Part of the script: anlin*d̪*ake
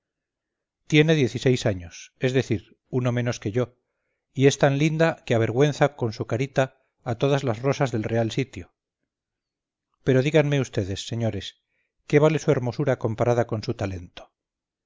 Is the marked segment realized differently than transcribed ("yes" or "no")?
no